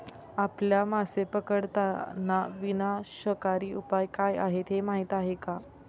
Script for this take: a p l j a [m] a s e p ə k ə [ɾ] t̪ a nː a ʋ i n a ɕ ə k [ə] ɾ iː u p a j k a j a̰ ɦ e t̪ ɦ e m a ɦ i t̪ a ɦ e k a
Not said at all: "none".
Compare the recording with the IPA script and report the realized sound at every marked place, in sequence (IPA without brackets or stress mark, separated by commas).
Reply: m, ɽ, a